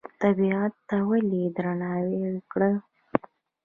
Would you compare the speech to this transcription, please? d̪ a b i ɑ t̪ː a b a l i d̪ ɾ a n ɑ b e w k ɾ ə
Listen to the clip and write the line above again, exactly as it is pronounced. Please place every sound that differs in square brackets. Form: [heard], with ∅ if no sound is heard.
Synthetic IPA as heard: [t̪] a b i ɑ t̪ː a [w] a l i d̪ ɾ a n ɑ [w] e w k [ɽ] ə